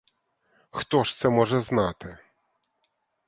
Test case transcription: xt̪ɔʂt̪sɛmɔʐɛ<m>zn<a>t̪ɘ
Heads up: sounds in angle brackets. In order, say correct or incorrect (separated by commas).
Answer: incorrect, correct